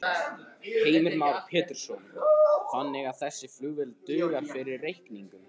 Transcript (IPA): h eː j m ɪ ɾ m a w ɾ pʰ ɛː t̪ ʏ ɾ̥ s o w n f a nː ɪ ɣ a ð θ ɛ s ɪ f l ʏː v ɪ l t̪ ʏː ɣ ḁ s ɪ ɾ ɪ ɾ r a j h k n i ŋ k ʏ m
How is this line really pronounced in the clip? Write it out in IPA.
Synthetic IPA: h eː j m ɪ ɾ m a w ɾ pʰ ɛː t̪ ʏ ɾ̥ s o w n f a nː ɪ ɣ a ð θ ɛ sː ɪ f l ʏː v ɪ l t̪ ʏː ɣ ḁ f ɪ ɾ ɪ ɾ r e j h k n i ŋ k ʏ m